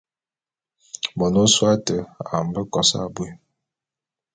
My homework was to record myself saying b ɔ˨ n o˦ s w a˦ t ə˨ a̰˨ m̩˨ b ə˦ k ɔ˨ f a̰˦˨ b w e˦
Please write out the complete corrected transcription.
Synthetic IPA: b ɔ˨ n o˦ s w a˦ t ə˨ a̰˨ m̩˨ b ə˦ k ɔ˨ s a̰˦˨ b w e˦